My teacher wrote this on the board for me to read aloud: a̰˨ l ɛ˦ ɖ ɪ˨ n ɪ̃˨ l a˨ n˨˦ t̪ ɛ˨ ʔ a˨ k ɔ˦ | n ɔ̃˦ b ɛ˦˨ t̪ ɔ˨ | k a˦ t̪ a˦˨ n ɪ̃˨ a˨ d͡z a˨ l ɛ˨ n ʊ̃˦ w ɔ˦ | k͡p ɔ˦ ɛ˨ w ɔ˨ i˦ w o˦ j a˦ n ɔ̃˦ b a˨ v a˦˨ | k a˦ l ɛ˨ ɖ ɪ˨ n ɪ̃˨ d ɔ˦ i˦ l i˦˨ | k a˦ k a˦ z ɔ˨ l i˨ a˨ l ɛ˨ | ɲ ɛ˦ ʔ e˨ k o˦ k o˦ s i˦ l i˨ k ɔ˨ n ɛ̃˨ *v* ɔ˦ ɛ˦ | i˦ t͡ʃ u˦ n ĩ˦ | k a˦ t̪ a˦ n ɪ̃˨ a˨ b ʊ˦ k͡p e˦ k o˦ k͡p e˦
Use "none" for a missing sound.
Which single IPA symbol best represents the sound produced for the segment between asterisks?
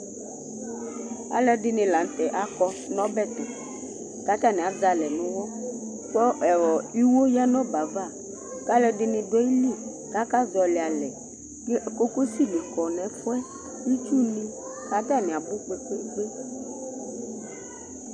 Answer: f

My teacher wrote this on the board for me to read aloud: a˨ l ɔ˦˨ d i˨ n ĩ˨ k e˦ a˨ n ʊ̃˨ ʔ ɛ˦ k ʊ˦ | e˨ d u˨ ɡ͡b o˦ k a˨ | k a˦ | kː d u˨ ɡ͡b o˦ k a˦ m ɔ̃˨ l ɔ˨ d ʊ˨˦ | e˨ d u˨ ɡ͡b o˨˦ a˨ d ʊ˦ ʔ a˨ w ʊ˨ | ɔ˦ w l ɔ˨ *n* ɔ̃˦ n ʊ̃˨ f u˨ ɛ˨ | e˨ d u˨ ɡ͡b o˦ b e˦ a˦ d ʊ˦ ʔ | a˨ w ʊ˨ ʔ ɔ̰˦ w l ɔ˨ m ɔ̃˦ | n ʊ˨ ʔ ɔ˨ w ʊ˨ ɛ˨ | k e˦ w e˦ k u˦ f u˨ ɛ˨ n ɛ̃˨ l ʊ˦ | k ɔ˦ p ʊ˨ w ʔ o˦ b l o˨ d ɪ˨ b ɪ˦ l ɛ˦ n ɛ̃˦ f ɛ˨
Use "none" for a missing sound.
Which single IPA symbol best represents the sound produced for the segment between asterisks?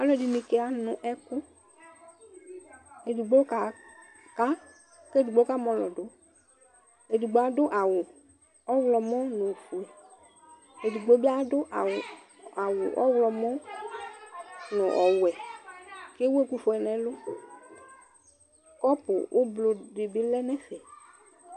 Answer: m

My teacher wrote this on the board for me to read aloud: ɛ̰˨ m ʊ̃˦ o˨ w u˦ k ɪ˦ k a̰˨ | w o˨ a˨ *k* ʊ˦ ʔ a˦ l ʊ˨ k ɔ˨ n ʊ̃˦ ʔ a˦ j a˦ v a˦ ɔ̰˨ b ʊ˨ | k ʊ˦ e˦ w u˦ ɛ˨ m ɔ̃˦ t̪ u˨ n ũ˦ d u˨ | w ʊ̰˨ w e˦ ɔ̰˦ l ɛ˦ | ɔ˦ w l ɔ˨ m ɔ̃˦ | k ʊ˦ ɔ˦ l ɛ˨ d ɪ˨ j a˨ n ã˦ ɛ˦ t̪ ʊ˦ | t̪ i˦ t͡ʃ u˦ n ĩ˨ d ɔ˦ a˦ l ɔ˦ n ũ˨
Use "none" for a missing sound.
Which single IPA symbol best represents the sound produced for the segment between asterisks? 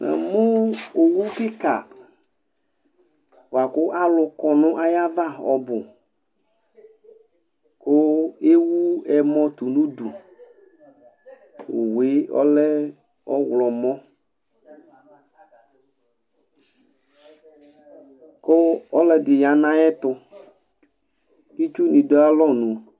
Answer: k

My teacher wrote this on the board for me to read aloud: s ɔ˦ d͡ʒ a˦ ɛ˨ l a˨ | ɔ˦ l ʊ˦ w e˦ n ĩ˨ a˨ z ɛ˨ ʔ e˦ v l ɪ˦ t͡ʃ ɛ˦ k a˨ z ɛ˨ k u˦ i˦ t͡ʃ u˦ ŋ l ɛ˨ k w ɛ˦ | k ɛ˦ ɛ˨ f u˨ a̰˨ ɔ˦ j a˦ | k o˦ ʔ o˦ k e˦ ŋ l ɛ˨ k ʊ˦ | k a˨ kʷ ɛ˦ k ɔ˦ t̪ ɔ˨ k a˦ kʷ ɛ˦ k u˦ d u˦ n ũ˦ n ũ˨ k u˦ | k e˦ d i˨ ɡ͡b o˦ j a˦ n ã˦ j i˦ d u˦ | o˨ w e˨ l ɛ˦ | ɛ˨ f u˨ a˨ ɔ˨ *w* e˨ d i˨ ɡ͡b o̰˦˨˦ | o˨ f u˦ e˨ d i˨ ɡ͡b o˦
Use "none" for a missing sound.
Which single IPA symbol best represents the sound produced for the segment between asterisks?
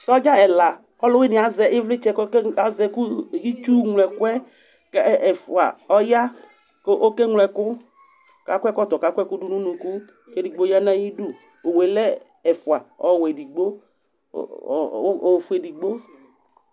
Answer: w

